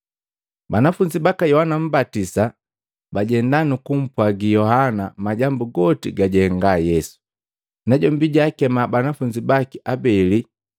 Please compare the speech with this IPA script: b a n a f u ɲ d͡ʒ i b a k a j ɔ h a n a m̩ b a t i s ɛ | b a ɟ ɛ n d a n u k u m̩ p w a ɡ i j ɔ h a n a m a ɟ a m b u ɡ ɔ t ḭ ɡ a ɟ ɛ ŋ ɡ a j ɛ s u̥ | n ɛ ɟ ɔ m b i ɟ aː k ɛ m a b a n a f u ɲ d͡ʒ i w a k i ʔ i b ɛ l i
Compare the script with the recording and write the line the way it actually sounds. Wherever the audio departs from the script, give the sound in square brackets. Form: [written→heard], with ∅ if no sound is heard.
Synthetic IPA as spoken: b a n a f u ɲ d͡ʒ i b a k a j ɔ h a n a m̩ b a t i s [ɛ→a] | b a ɟ ɛ n d a n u k u m̩ p w a ɡ i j ɔ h a n a m a ɟ a m b u ɡ ɔ t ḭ ɡ a ɟ ɛ ŋ ɡ a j ɛ s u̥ | n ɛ ɟ ɔ m b i ɟ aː k ɛ m a b a n a f u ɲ d͡ʒ i [w→b] a k i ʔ [i→a] b ɛ l i